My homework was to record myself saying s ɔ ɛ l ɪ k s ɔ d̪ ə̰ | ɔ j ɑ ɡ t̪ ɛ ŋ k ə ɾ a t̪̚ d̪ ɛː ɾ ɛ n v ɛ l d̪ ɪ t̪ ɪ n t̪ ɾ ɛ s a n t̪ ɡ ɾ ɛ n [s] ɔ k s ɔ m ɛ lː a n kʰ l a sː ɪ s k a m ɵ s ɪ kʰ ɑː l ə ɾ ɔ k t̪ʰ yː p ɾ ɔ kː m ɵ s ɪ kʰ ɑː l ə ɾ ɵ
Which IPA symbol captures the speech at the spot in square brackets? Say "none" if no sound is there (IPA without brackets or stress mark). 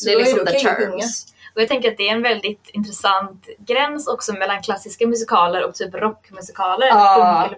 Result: s